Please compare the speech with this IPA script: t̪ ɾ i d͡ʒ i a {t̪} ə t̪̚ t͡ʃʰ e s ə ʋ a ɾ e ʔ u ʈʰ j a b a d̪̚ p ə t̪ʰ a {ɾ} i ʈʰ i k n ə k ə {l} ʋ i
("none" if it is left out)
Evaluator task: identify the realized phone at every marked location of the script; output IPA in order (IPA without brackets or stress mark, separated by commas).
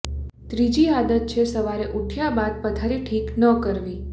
d̪, ɾ, ɾ